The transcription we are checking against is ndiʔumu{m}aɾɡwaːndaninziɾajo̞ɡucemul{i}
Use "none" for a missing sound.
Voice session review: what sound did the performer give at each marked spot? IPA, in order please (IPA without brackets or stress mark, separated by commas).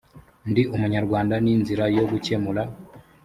ɲ, a